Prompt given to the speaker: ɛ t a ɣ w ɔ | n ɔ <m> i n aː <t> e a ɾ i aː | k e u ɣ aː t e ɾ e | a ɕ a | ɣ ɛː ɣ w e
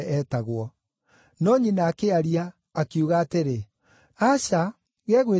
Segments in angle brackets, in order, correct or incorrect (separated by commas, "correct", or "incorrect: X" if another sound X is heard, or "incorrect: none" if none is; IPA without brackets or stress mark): incorrect: ɲ, incorrect: k